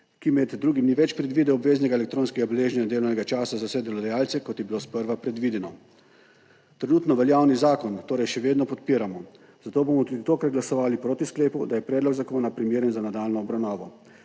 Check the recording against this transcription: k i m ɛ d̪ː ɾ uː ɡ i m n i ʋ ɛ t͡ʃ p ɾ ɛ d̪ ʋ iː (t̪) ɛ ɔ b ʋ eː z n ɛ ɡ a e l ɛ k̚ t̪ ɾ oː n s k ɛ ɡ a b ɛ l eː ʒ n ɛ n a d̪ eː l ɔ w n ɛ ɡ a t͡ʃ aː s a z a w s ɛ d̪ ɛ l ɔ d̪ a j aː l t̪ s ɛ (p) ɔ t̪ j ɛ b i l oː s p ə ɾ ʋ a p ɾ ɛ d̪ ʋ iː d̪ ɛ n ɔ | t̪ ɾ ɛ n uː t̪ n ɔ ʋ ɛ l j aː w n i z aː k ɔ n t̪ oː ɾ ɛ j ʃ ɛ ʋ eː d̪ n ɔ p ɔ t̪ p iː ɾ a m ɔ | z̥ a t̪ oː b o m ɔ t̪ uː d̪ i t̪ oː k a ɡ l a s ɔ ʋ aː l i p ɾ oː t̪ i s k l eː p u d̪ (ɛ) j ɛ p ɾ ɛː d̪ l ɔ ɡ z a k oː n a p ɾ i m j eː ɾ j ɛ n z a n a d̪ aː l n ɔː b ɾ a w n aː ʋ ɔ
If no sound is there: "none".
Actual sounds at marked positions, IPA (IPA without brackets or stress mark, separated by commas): d̪, k, a